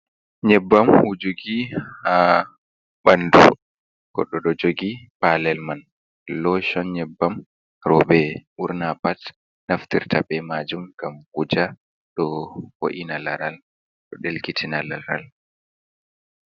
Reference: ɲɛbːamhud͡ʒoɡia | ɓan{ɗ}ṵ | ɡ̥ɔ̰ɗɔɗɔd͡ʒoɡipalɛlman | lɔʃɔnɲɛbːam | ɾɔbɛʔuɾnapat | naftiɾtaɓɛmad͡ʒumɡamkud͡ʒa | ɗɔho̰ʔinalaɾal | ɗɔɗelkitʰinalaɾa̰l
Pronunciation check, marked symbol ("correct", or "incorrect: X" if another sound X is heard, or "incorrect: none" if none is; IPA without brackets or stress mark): incorrect: d